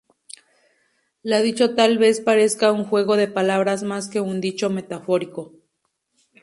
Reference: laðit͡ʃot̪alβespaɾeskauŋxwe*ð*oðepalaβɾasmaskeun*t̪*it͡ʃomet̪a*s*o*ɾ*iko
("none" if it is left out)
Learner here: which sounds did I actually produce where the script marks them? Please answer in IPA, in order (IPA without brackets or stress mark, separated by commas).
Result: ɣ, d̪, f, ɾ